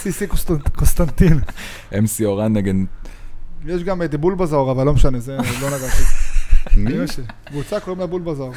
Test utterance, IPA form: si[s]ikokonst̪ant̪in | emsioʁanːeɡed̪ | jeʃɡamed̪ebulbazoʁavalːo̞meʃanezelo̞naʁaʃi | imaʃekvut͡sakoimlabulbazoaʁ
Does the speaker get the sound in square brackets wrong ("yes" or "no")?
no